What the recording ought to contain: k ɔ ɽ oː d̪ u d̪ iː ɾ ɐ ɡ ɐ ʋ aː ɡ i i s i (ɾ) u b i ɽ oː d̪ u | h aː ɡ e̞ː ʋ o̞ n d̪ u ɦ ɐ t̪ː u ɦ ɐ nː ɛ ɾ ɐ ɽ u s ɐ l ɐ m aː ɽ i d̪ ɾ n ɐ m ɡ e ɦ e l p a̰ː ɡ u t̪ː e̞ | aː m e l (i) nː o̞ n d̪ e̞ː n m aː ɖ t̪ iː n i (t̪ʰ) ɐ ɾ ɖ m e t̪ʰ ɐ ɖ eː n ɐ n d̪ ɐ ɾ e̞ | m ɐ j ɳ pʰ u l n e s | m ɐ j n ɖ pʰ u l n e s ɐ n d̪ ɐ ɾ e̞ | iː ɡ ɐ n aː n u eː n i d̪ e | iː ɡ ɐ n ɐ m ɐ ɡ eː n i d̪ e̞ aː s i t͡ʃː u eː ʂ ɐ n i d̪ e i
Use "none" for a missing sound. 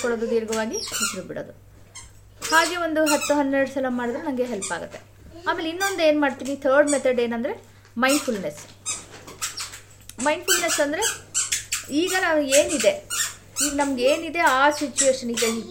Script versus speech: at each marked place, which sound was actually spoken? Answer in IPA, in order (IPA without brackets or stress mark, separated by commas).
ɾ, i, t̪ʰ